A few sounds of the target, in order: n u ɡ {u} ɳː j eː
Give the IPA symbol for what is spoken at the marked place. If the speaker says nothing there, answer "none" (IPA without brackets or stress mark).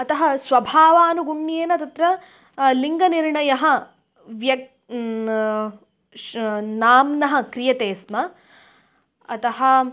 u